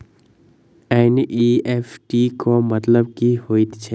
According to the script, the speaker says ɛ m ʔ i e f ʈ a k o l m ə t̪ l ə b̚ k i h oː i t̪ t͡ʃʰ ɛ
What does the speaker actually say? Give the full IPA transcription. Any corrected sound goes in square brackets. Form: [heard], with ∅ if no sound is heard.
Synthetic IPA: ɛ [n] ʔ i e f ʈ [i] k o [∅] m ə t̪ l ə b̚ k i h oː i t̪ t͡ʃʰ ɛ